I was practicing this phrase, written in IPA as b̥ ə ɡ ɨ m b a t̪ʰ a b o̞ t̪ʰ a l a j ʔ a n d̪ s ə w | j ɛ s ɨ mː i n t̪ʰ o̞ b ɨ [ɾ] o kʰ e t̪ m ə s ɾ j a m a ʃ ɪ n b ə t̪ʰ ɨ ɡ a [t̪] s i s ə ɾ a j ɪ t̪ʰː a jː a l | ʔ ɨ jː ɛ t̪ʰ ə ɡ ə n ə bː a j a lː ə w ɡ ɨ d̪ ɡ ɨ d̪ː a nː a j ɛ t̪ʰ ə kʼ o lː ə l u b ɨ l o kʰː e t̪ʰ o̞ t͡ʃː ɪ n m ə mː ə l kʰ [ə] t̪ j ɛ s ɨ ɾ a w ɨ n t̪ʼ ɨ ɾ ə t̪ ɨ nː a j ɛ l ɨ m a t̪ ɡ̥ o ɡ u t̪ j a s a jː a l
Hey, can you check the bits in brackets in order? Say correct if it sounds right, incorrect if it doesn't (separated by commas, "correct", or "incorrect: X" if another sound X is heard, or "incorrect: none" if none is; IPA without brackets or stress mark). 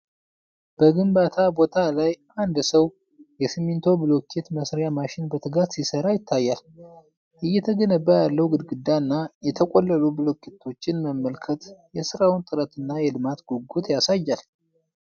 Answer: incorrect: l, correct, correct